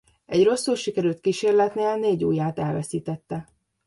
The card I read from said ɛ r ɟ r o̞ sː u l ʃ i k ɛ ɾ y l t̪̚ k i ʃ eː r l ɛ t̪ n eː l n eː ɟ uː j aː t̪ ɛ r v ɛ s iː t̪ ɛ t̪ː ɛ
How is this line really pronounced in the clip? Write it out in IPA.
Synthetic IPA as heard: ɛ ɟ r o̞ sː u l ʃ i k ɛ ɾ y l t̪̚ k i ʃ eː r l ɛ t̪ n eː l n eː ɟ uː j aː t̪ ɛ l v ɛ s iː t̪ ɛ t̪ː ɛ